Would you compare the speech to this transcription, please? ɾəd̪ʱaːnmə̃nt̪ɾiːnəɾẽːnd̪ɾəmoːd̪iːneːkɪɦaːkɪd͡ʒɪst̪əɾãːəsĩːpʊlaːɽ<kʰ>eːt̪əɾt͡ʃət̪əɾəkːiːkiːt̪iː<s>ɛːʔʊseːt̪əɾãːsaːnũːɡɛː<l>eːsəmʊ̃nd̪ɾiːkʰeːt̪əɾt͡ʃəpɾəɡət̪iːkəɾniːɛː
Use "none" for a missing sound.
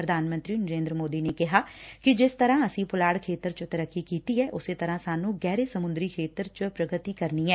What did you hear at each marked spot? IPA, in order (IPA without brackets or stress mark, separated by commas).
kʰ, none, ɾ